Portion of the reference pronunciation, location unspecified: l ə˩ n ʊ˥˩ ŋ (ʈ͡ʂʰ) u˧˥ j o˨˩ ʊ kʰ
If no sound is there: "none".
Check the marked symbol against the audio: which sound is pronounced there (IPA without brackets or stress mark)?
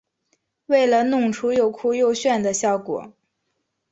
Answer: ʈ͡ʂʰ